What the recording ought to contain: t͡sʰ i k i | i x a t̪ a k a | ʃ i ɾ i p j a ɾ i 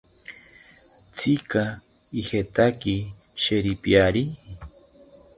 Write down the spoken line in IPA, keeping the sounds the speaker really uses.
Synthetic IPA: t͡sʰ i k a | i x e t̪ a k i | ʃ e ɾ i p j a ɾ i